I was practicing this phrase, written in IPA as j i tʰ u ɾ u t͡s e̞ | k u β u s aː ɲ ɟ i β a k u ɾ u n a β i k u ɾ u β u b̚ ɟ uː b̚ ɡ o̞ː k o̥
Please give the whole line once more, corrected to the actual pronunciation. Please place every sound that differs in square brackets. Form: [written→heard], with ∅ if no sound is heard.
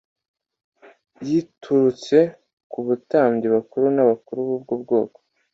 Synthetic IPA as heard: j i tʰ u ɾ u t͡s e̞ | k u β u [s→t] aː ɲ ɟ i β a k u ɾ u n a β [i→a] k u ɾ u β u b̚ [ɟ→ɡ] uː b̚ ɡ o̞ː k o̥